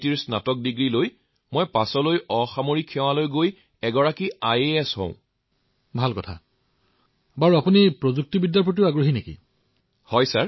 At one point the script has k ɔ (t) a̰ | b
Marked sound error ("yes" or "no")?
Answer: yes